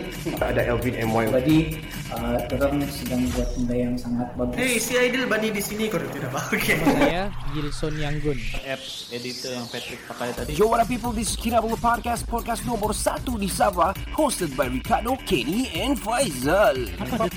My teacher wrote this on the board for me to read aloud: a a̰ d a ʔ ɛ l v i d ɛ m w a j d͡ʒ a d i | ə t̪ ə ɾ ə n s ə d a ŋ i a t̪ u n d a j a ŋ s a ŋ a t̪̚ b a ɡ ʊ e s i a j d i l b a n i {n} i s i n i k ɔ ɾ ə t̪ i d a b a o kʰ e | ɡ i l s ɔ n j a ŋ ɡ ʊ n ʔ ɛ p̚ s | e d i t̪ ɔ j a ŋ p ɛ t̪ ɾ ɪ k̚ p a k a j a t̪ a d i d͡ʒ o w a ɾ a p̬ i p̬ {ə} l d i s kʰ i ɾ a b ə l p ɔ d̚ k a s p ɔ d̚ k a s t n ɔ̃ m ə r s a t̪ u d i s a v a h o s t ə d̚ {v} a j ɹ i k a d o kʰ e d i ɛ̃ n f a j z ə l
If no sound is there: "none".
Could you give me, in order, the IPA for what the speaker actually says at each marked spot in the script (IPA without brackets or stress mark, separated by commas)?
d, ə, b